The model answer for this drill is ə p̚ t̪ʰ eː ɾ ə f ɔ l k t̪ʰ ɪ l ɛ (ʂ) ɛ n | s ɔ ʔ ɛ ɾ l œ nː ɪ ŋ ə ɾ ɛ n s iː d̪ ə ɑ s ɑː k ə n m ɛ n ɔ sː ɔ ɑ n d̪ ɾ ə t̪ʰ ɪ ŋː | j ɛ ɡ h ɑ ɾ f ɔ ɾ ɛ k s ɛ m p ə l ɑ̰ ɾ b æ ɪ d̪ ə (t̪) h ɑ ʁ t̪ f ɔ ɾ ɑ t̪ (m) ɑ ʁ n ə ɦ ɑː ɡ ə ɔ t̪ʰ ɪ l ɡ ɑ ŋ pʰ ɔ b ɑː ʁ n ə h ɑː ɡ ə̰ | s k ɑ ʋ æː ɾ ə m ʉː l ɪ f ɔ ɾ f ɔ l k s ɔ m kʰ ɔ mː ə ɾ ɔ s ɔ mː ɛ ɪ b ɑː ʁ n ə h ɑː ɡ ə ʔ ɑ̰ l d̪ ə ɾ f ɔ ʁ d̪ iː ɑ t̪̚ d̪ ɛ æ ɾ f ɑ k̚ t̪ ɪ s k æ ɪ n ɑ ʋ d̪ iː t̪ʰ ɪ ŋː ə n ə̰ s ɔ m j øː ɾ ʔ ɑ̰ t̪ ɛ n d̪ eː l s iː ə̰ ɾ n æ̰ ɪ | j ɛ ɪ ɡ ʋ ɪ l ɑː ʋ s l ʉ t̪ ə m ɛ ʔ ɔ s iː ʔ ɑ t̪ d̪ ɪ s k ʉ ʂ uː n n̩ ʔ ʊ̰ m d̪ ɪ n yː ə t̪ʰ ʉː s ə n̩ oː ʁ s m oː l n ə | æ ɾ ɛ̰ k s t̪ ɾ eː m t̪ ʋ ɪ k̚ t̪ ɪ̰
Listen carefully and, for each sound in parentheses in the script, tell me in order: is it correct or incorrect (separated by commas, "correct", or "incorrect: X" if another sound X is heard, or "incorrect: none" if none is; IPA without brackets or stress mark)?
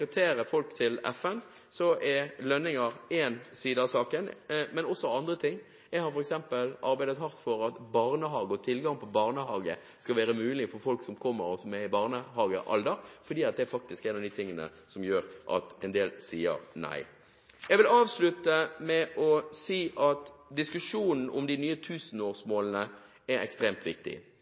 incorrect: f, correct, incorrect: b